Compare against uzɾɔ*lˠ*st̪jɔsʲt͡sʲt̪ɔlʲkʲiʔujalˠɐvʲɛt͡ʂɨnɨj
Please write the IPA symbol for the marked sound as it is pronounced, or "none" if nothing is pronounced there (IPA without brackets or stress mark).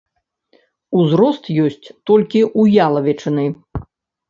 none